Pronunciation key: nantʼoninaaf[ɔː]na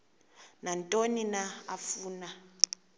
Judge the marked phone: incorrect: uː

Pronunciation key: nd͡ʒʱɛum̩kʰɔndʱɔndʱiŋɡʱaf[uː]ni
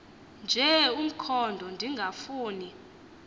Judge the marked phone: correct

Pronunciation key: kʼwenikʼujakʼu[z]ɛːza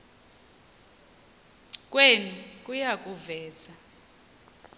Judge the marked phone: incorrect: v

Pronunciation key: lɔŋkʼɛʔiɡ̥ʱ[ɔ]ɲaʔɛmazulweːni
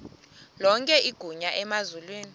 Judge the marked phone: incorrect: u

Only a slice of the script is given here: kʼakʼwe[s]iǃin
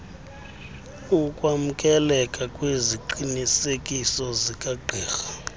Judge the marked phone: incorrect: z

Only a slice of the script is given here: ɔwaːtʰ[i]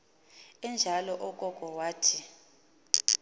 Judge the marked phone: correct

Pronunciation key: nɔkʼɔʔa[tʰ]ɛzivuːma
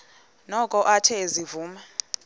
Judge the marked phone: correct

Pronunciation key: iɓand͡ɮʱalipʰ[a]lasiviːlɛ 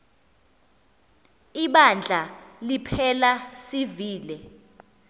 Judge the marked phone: incorrect: ɛ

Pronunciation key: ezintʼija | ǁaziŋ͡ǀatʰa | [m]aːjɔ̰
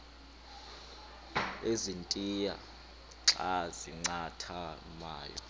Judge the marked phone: correct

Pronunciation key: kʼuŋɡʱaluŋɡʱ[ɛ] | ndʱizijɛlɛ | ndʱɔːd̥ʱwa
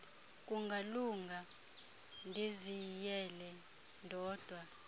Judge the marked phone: incorrect: a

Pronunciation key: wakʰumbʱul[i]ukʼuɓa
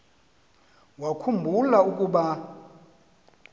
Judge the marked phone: incorrect: a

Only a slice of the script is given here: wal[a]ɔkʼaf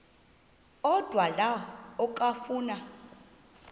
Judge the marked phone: correct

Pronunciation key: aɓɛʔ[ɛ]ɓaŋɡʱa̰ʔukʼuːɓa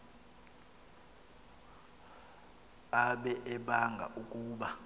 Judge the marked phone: correct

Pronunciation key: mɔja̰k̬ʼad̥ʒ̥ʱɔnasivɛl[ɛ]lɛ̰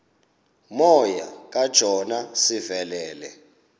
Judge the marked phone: incorrect: ɛː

